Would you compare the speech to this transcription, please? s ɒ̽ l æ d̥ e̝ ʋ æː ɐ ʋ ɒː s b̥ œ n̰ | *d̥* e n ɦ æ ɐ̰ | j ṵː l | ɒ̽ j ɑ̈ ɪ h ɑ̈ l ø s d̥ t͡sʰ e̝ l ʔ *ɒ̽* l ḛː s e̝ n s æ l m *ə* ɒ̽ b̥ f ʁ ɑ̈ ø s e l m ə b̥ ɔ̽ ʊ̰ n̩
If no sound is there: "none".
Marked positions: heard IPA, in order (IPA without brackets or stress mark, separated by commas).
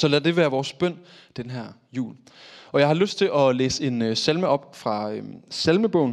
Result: d̥, ɒ̽, ə